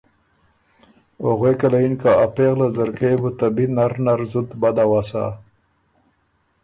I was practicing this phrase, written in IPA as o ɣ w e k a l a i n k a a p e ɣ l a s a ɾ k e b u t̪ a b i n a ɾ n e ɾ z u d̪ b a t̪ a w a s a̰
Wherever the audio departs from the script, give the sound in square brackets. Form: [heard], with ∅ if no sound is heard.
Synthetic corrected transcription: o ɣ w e k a l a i n k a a p e ɣ l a [z] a ɾ k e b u t̪ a b i n a ɾ n [a] ɾ z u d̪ b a [d̪] a w a s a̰